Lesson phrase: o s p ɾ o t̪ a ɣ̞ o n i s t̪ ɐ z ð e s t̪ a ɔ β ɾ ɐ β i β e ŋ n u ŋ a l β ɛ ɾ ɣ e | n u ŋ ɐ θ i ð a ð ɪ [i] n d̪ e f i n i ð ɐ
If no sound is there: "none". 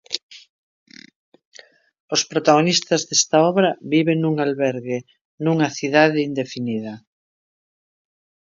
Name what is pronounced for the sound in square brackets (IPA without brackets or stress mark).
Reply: i